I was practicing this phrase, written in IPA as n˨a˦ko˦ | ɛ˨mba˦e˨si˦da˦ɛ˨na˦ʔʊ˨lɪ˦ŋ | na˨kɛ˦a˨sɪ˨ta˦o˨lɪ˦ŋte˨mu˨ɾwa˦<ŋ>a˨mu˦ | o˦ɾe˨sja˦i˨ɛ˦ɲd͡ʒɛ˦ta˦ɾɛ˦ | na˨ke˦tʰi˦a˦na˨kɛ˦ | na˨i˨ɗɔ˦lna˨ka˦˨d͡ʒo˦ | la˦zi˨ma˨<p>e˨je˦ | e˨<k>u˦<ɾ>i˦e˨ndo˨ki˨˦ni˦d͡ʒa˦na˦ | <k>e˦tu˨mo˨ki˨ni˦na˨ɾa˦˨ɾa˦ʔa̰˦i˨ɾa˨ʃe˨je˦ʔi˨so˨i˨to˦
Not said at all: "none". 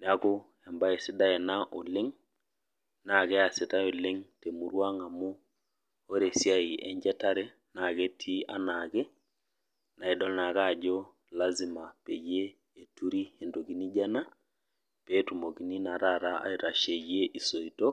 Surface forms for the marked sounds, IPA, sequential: ŋ, p, t, ɾ, p

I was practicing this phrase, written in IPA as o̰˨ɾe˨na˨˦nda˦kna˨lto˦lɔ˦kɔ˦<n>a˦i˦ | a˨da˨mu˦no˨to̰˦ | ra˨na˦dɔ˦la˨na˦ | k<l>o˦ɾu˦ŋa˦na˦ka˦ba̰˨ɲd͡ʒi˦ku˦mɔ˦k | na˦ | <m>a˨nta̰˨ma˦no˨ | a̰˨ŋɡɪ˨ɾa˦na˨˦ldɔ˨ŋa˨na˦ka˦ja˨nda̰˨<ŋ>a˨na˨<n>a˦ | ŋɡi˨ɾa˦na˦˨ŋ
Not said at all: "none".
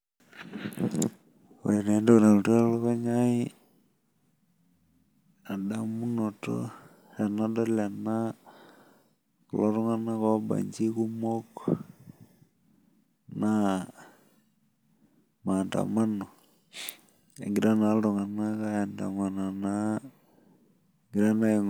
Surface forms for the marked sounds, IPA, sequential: ɲ, l, m, ŋ, n

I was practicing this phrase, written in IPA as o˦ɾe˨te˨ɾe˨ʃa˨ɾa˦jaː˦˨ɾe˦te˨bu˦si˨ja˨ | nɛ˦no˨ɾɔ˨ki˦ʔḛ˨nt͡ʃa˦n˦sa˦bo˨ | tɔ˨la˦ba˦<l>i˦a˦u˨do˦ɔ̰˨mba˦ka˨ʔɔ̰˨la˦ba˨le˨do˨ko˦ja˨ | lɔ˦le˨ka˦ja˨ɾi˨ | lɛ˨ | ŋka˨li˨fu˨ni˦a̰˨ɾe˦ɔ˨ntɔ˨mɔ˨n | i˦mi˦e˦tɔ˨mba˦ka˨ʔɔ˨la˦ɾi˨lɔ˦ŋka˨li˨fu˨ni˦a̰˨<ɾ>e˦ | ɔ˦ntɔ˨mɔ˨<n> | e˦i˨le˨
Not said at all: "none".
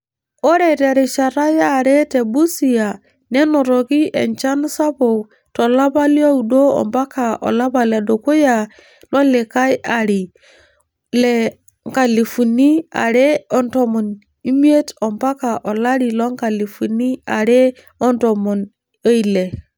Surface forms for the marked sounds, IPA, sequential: l, ɾ, n

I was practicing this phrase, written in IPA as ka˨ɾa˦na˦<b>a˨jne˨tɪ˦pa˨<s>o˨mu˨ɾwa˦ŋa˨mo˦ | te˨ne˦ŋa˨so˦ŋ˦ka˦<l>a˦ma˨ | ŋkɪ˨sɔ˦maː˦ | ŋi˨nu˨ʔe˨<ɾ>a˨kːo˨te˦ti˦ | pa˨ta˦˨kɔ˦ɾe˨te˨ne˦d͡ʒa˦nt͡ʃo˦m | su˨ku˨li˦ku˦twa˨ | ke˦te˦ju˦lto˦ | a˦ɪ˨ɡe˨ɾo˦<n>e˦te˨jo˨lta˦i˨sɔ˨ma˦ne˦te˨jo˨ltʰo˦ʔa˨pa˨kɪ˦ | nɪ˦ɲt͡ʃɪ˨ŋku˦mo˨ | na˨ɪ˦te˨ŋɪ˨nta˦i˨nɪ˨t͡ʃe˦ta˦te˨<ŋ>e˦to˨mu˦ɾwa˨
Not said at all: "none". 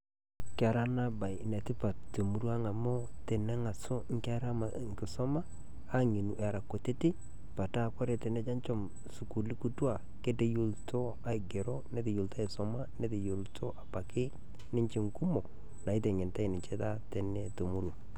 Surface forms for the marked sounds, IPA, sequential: b, t, ɾ, ɾ, n, n

